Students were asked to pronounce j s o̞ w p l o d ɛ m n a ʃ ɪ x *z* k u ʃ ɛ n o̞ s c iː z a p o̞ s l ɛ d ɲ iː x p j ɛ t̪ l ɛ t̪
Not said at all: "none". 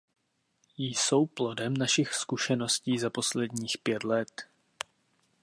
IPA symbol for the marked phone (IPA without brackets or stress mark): s